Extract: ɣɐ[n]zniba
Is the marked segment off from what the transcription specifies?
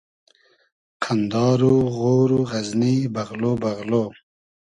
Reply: yes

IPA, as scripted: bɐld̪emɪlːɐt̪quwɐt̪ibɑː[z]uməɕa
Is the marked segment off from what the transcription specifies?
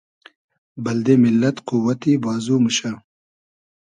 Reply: no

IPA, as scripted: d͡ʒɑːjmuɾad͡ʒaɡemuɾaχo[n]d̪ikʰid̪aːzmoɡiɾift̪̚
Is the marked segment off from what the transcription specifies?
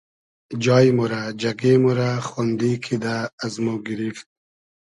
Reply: no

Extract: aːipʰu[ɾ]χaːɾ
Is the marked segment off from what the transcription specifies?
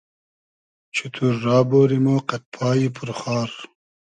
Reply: no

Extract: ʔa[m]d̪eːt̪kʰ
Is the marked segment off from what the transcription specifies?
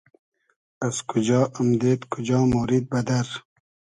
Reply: no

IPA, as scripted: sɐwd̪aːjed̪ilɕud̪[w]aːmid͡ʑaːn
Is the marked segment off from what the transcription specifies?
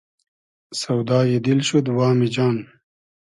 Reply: no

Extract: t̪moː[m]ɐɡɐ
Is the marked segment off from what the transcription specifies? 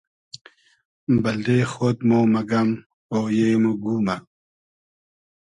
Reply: no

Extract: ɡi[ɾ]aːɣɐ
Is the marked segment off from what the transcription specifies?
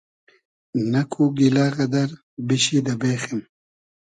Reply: yes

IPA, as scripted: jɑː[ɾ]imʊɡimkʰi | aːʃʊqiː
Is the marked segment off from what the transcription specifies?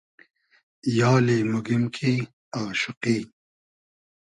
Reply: yes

